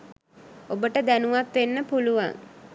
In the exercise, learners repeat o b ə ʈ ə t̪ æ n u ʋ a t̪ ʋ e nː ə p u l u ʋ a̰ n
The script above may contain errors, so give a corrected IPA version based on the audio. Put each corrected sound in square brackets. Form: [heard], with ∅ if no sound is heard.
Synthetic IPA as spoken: o b ə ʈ ə [d̪] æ n u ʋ a t̪ ʋ e nː ə p u l u ʋ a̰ [ŋ]